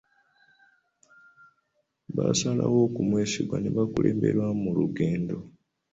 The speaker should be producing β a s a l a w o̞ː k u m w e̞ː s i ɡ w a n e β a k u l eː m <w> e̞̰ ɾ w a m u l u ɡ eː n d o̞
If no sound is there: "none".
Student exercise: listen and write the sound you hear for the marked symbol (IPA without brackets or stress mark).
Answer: b